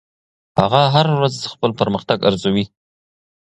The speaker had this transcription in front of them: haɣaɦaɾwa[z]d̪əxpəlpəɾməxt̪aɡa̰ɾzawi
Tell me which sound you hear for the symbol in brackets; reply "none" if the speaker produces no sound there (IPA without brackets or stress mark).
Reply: z